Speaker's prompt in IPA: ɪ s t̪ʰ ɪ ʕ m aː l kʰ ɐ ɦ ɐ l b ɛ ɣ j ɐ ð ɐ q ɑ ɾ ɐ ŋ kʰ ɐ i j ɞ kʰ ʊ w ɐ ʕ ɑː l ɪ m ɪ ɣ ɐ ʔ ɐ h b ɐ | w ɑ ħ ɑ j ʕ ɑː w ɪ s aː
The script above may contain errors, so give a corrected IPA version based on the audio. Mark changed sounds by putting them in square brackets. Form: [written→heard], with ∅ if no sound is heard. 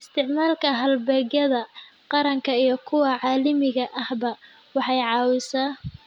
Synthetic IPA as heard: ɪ s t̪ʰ ɪ ʕ m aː l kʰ ɐ ɦ ɐ l b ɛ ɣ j ɐ ð ɐ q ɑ ɾ ɐ ŋ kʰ ɐ i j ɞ kʰ ʊ w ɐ ʕ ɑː l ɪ m ɪ ɣ ɐ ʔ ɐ h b ɐ | w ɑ ħ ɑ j ʕ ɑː w ɪ s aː